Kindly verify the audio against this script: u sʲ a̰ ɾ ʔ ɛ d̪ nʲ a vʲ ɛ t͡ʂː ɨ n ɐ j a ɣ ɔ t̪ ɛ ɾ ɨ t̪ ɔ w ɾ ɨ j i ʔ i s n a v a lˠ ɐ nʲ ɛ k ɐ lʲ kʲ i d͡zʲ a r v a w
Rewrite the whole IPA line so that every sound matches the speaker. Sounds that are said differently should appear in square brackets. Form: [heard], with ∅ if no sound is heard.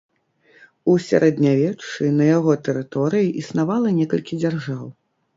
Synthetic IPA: u sʲ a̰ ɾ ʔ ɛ d̪ nʲ a vʲ ɛ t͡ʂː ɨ n ɐ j a ɣ ɔ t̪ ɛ ɾ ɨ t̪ ɔ [∅] ɾ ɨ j i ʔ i s n a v a lˠ ɐ nʲ ɛ k ɐ lʲ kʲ i d͡zʲ a r [ʐ] a w